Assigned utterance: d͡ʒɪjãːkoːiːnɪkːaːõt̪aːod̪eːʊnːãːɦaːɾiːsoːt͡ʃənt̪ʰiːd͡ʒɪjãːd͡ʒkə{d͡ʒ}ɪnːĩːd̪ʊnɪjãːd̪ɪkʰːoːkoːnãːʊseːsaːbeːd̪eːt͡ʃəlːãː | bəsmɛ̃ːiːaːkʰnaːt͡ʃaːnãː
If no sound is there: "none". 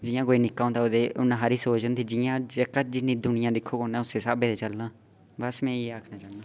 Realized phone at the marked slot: d͡ʒ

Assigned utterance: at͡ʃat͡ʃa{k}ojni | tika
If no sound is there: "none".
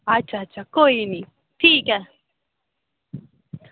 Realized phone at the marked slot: k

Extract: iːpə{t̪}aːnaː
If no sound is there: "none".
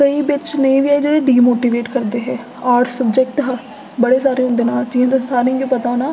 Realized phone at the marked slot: t̪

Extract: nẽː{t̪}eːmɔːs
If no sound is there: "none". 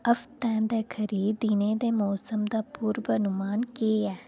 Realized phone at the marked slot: d̪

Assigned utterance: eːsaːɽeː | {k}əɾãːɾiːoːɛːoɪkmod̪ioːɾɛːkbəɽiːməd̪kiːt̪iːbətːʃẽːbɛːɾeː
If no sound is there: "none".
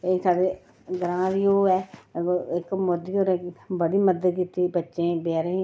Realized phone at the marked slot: ɡ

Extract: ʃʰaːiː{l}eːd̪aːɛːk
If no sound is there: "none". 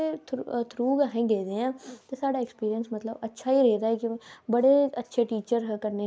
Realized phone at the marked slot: ɾ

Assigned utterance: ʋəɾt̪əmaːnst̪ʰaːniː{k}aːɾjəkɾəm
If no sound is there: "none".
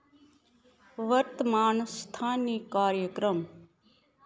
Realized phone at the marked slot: k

